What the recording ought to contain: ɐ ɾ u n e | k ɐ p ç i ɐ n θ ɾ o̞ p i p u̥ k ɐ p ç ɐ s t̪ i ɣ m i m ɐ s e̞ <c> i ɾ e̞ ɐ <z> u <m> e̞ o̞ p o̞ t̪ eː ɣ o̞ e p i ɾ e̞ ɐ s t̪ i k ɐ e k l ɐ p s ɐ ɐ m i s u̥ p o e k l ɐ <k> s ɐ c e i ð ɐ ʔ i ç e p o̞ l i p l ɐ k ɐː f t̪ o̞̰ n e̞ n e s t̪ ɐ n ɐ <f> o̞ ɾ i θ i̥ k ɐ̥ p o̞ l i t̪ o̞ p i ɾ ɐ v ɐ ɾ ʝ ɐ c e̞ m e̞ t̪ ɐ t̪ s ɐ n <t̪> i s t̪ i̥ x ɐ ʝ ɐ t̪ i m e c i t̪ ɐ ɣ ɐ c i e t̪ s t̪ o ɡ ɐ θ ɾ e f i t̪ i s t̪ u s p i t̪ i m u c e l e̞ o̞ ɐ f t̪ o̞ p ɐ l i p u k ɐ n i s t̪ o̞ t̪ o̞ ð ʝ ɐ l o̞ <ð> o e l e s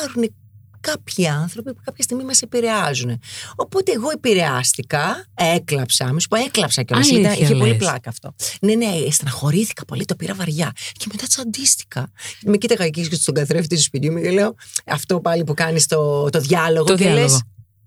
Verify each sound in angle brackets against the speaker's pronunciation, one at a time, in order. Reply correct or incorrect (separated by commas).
incorrect, correct, incorrect, incorrect, incorrect, incorrect, incorrect